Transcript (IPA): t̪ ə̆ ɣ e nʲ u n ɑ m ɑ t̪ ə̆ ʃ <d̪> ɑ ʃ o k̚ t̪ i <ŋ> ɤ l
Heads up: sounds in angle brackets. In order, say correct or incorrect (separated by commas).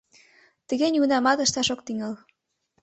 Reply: incorrect, correct